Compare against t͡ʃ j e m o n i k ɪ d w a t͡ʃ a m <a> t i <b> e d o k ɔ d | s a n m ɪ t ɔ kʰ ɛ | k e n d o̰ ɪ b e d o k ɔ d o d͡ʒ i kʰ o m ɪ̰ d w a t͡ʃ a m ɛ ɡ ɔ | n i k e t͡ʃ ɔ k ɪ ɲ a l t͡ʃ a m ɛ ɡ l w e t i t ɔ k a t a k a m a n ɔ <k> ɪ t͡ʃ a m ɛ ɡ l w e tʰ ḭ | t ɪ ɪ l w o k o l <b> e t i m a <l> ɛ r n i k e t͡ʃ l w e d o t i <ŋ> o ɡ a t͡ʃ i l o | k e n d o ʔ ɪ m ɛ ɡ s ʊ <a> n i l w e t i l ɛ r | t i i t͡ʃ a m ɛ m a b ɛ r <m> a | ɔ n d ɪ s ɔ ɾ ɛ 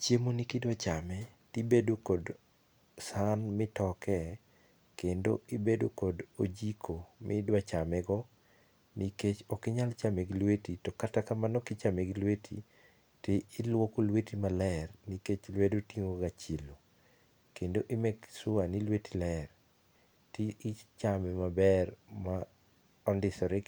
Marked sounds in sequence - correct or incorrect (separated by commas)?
incorrect, correct, correct, incorrect, correct, correct, correct, correct